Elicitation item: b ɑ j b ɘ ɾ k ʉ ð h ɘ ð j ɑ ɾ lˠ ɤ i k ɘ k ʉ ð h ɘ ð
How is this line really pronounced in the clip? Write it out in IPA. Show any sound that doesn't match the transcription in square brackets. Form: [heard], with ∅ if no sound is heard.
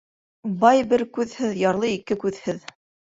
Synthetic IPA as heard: b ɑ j b ɘ ɾ k ʉ ð h ɘ ð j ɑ ɾ lˠ ɤ i k ɘ k ʉ ð h ɘ ð